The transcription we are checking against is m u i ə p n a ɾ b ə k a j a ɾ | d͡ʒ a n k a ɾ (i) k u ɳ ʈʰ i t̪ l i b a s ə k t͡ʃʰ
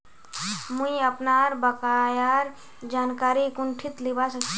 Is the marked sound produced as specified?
yes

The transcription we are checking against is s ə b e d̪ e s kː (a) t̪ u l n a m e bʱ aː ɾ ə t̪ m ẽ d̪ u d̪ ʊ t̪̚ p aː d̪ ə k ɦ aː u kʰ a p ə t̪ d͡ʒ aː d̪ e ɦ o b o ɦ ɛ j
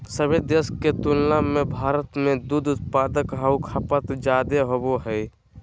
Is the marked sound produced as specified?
no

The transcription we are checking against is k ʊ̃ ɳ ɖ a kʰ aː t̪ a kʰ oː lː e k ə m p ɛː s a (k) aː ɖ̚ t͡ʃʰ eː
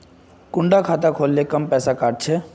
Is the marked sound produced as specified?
yes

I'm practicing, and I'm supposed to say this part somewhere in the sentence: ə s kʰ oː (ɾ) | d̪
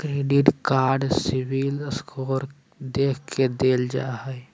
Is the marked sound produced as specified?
yes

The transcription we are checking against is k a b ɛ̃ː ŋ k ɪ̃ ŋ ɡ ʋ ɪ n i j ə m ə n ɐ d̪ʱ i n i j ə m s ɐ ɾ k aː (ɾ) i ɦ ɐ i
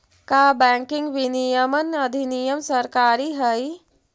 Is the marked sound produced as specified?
yes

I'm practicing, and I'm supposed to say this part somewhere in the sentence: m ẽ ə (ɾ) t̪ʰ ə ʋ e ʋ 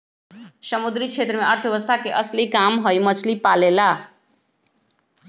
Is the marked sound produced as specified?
yes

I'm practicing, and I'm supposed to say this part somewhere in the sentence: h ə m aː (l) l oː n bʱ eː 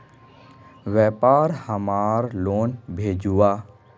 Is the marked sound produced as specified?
no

